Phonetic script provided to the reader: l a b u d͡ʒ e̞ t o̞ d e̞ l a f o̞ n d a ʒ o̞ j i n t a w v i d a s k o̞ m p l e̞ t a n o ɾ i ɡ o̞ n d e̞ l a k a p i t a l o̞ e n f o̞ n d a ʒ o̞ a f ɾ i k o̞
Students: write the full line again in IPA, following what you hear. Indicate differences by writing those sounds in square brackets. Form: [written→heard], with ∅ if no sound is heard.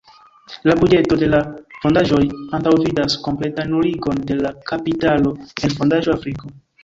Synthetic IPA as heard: l a b u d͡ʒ e̞ t o̞ d e̞ l a f o̞ n d a ʒ o̞ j [i→a] n t a w v i d a s k o̞ m p l e̞ t a n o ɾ i ɡ o̞ n d e̞ l a k a p i t a l o̞ e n f o̞ n d a ʒ o̞ a f ɾ i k o̞